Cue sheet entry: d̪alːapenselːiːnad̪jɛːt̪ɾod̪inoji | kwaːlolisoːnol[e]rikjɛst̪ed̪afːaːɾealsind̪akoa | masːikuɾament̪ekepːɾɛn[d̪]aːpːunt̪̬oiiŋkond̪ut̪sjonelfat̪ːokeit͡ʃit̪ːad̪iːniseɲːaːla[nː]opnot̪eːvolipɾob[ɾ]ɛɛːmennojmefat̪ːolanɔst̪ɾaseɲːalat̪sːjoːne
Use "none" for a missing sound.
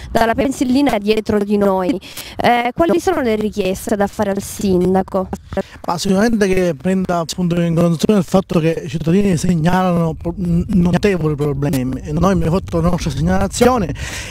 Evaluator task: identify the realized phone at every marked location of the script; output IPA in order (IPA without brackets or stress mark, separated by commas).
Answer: e, d̪, n, l